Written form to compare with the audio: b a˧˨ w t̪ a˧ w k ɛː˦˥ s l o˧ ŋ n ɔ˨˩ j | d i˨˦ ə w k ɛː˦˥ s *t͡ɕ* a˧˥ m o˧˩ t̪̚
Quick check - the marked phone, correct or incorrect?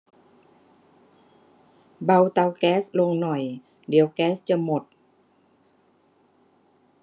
correct